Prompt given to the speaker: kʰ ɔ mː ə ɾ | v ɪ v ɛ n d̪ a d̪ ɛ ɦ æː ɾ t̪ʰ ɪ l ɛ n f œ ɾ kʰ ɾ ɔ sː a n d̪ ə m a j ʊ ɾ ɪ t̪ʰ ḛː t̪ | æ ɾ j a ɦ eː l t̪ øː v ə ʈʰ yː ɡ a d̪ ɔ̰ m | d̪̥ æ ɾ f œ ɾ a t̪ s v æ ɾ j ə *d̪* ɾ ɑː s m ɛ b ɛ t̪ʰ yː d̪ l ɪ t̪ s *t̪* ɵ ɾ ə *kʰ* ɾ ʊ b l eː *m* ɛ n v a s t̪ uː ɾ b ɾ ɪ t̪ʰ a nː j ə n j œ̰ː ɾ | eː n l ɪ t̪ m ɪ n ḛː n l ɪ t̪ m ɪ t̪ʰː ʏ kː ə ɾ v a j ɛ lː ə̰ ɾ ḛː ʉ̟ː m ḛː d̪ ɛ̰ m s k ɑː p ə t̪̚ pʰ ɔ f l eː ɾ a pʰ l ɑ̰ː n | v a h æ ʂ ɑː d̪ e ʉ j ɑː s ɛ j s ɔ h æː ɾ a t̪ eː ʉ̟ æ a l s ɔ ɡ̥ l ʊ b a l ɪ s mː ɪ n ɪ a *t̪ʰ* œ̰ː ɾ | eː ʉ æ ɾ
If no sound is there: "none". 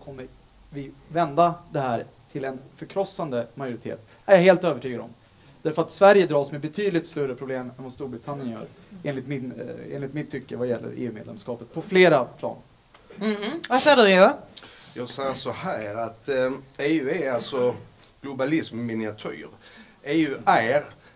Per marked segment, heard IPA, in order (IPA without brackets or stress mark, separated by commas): d̪, t̪, pʰ, m, t̪ʰ